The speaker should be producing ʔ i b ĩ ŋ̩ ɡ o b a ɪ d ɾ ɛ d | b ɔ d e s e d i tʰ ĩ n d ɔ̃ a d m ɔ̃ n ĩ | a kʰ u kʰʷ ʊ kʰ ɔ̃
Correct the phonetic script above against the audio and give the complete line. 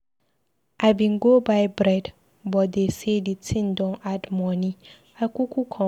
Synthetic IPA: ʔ a b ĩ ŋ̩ ɡ o b a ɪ b ɾ ɛ d | b ɔ d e s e d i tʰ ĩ n d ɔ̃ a d m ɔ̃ n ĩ | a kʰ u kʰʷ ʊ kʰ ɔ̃